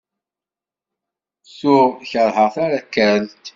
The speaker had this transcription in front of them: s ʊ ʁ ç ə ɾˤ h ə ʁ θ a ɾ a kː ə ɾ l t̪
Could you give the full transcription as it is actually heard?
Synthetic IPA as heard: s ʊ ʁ ç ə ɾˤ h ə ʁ θ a ɾ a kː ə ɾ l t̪